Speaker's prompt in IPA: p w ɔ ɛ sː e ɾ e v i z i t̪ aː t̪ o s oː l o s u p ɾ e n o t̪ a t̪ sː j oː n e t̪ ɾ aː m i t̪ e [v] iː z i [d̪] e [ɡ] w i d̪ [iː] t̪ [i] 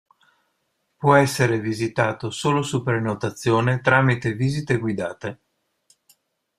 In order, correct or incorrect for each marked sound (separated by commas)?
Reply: correct, incorrect, correct, incorrect, incorrect